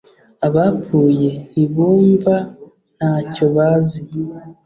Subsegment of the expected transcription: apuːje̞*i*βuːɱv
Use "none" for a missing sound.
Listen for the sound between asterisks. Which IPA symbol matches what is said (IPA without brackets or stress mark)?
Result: i